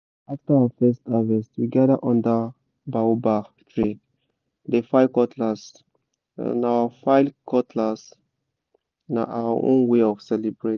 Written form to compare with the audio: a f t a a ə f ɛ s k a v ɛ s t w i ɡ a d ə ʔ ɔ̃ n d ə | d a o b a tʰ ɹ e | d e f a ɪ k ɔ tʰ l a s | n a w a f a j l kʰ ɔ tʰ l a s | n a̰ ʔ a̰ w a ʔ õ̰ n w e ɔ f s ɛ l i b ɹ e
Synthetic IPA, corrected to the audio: a f t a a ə f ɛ s t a v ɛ s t w i ɡ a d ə ʔ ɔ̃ n d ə | b a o b a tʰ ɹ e | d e f a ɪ k ɔ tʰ l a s | n a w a f a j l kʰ ɔ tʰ l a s | n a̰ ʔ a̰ w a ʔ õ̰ n w e ɔ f s ɛ l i b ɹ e